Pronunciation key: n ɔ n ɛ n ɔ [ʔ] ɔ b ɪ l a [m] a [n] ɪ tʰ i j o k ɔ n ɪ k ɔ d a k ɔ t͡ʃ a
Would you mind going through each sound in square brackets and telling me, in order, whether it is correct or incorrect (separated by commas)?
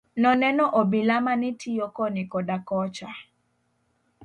correct, correct, correct